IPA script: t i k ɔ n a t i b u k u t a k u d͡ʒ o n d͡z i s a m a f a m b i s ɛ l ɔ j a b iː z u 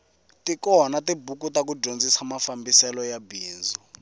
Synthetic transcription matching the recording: t i k ɔ n a t i b u k u t a k u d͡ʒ o n d͡z i s a m a f a m b i s ɛ l ɔ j a b iː z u